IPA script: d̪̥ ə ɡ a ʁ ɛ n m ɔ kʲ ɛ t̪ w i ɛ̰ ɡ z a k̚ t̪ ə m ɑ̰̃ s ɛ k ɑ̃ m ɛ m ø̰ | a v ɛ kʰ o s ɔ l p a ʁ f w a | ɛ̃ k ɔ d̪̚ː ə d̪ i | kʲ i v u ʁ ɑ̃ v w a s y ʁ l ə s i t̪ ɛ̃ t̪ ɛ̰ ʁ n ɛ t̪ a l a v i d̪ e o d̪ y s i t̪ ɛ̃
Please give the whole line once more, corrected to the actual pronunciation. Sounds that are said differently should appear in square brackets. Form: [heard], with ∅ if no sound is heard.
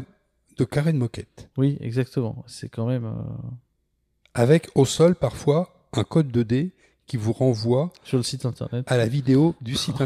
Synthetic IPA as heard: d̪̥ ə [k] a ʁ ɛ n m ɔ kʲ ɛ t̪ w i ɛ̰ ɡ z a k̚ t̪ ə m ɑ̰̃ s ɛ k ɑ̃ m ɛ m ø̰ | a v ɛ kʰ o s ɔ l p a ʁ f w a | ɛ̃ k ɔ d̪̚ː ə d̪ [e] | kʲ i v u ʁ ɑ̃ v w a s y ʁ l ə s i t̪ ɛ̃ t̪ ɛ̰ ʁ n ɛ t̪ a l a v i d̪ e o d̪ y s i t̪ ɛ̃